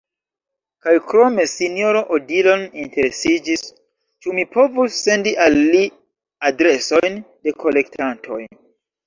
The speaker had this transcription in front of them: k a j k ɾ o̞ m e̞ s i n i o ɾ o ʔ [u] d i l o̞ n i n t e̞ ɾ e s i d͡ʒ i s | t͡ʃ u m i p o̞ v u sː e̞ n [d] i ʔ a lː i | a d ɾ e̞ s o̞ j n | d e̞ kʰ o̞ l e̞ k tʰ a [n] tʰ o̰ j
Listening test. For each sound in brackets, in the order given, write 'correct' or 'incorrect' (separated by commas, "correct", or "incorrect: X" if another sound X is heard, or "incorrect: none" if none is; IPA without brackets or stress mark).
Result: incorrect: o, correct, correct